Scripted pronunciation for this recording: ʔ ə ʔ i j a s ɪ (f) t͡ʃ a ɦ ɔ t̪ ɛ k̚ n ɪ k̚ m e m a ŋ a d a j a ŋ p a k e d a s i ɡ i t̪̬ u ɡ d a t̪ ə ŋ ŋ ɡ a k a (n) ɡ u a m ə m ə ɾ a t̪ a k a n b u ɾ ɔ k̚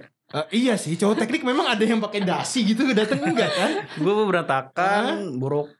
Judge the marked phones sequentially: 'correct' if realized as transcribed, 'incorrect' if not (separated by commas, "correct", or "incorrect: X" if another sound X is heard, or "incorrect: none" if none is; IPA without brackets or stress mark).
incorrect: h, correct